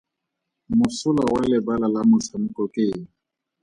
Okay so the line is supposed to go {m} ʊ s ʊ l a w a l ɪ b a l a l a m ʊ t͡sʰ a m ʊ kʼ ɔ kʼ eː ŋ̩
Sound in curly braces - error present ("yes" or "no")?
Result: no